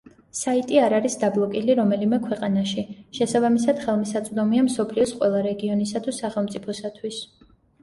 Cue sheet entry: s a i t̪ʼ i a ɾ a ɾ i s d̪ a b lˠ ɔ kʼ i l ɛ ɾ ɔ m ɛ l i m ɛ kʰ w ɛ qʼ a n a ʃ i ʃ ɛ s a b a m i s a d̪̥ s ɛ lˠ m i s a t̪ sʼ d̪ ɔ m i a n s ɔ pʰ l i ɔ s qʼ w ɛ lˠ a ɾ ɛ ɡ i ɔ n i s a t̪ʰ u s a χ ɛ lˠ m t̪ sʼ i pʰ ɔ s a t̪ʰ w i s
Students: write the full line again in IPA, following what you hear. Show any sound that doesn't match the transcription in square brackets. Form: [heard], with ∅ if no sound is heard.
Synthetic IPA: s a i t̪ʼ i a ɾ a ɾ i s d̪ a b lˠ ɔ kʼ i l [i] ɾ ɔ m ɛ l i m ɛ kʰ w ɛ qʼ a n a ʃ i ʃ ɛ s a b a m i s a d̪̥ [χ] ɛ lˠ m i s a t̪ sʼ d̪ ɔ m i a [m] s ɔ pʰ l i ɔ s qʼ w ɛ lˠ a ɾ ɛ ɡ i ɔ n i s a t̪ʰ u s a χ ɛ lˠ m t̪ sʼ i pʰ ɔ s a t̪ʰ w i s

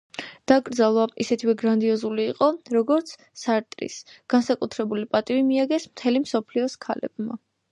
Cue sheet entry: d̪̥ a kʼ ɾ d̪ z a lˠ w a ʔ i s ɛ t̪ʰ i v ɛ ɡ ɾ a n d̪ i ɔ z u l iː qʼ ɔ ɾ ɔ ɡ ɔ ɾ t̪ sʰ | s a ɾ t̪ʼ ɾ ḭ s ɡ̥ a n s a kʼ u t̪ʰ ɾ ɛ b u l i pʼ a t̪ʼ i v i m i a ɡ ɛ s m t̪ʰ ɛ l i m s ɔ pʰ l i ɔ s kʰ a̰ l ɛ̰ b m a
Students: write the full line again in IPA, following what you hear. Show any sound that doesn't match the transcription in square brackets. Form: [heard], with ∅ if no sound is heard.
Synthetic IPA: d̪̥ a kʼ ɾ d̪ z a lˠ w a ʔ i s ɛ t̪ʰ i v ɛ ɡ ɾ a n d̪ i ɔ z u l iː qʼ ɔ ɾ ɔ ɡ ɔ ɾ t̪ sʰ | s a ɾ t̪ʼ ɾ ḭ s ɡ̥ a n s a kʼ u t̪ʰ ɾ ɛ b u l i pʼ a t̪ʼ i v i m i a ɡ ɛ s m t̪ʰ ɛ l i m s ɔ pʰ l i ɔ s kʰ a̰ l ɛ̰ b m a

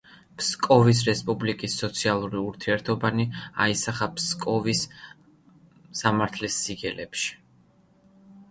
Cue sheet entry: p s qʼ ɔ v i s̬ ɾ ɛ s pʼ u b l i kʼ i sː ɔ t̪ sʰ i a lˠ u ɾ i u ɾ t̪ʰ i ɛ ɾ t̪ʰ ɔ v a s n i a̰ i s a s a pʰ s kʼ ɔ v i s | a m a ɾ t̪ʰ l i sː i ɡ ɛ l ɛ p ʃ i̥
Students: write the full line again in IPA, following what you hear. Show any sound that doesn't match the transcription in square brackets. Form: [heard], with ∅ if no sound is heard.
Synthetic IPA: p s [kʼ] ɔ v i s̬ ɾ ɛ s pʼ u b l i kʼ i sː ɔ t̪ sʰ i a lˠ u ɾ i u ɾ t̪ʰ i ɛ ɾ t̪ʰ ɔ [b] a [∅] n i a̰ i s a [χ] a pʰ s kʼ ɔ v i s | a m a ɾ t̪ʰ l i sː i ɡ ɛ l ɛ p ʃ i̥

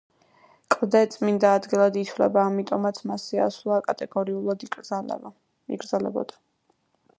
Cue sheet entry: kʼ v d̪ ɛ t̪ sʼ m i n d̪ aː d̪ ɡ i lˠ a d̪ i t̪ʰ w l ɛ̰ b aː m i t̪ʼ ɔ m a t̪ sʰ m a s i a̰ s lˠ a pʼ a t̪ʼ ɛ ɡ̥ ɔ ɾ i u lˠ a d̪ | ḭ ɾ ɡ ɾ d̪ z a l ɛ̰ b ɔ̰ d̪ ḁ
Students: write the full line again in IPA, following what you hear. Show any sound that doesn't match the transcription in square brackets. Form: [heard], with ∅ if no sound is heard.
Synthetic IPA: kʼ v d̪ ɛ t̪ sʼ m i n d̪ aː d̪ ɡ i lˠ a d̪ i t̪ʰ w l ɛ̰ b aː m i t̪ʼ ɔ m a t̪ sʰ m a s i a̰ s lˠ a [kʼ] a t̪ʼ ɛ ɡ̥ ɔ ɾ i u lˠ a d̪ | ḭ [∅] ɡ ɾ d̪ z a l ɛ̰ b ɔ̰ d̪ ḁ

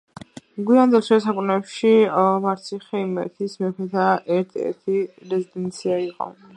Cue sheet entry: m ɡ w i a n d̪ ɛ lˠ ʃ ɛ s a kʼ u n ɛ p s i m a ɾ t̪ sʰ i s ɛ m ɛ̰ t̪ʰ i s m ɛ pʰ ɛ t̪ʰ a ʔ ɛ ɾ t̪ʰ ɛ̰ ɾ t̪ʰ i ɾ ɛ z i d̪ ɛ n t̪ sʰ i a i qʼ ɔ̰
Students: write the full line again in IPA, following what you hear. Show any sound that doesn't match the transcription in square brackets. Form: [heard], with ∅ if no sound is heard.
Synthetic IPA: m ɡ w i a n d̪ ɛ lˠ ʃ ɛ s a kʼ u n ɛ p [ʃ] i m a ɾ t̪ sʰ i [χ] ɛ m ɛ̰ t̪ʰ i s m ɛ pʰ ɛ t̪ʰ a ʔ ɛ ɾ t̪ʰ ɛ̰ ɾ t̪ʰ i ɾ ɛ z i d̪ ɛ n t̪ sʰ i a i qʼ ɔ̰

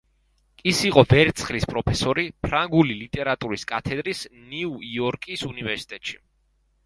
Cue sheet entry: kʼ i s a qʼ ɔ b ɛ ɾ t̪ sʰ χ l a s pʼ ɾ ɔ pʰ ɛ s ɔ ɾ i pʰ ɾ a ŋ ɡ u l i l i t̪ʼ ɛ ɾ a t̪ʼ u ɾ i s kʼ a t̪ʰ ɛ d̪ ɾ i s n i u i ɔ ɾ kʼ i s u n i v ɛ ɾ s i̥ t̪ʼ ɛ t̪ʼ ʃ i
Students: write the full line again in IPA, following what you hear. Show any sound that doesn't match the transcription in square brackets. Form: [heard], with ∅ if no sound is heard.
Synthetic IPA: kʼ i s [i] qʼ ɔ [v] ɛ ɾ t̪ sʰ χ l [i] s pʼ ɾ ɔ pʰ ɛ s ɔ ɾ i pʰ ɾ a ŋ ɡ u l i l i t̪ʼ ɛ ɾ a t̪ʼ u ɾ i s kʼ a t̪ʰ ɛ d̪ ɾ i s n i u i ɔ ɾ kʼ i s u n i v ɛ ɾ s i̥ t̪ʼ ɛ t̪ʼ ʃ i

